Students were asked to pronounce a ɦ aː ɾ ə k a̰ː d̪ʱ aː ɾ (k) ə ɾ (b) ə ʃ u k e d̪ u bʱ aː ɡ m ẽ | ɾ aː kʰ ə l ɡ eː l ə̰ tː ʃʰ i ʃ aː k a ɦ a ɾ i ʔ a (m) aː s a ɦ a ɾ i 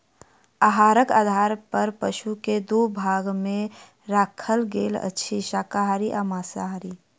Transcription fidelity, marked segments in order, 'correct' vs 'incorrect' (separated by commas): incorrect, incorrect, correct